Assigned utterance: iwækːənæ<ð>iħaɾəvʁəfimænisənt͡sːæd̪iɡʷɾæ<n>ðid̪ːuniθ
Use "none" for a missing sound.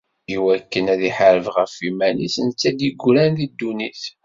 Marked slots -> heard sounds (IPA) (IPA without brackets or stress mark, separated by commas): ð, n